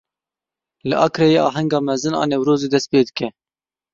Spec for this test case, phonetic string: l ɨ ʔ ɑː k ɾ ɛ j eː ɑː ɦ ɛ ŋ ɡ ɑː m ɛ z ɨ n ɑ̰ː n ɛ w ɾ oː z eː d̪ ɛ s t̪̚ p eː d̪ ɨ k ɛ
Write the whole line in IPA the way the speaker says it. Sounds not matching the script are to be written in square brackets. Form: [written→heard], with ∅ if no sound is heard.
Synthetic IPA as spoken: l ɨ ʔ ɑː k ɾ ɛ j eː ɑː ɦ ɛ ŋ ɡ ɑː m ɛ z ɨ n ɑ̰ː n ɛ w ɾ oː z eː d̪ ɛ s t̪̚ p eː d̪ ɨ k ɛ